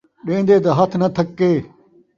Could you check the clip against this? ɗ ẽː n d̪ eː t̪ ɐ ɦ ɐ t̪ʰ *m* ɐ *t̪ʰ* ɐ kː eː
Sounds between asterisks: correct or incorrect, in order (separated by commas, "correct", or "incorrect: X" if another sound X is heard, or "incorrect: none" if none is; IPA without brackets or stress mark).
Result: incorrect: n, correct